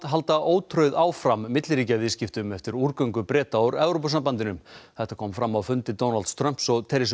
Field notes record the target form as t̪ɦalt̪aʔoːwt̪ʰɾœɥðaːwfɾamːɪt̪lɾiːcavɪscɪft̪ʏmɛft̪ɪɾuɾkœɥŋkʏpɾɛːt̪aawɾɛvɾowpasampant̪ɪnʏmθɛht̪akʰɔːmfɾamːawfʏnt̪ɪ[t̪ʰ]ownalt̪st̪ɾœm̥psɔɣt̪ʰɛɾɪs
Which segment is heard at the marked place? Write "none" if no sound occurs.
t̪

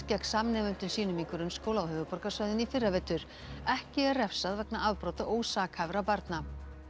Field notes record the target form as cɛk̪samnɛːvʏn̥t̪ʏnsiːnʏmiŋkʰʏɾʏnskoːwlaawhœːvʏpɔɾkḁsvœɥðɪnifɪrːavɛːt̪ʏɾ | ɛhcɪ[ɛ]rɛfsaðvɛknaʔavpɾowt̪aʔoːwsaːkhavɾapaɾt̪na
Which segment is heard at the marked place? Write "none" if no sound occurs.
ɛ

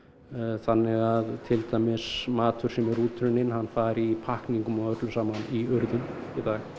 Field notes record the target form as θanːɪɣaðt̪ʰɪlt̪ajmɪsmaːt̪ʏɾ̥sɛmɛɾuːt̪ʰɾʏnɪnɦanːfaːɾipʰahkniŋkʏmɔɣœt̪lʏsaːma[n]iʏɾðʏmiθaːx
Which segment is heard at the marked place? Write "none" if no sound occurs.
n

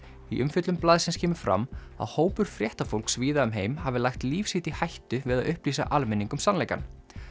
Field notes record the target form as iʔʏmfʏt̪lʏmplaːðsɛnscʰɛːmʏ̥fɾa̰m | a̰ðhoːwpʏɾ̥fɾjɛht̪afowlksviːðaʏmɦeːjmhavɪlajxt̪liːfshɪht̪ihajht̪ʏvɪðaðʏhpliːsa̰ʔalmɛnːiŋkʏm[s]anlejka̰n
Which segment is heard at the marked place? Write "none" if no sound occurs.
s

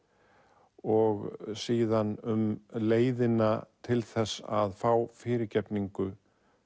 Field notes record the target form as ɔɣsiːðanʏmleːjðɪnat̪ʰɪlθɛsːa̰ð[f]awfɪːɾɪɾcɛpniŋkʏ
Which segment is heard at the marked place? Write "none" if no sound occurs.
f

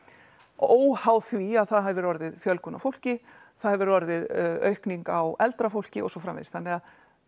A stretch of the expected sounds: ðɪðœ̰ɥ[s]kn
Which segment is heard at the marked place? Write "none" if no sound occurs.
h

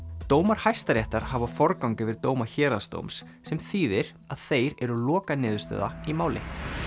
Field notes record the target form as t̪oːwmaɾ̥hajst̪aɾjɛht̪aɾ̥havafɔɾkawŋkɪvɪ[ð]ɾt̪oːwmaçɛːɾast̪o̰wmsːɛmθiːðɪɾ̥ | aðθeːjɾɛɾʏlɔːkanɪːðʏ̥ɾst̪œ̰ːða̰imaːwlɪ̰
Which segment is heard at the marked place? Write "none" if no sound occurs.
none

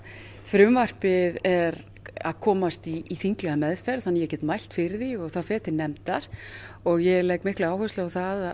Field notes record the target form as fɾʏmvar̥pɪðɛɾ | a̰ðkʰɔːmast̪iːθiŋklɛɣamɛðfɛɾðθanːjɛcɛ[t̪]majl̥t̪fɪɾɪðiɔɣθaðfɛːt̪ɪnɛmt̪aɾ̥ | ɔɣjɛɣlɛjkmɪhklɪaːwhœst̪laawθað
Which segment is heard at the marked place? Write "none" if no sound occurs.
t̪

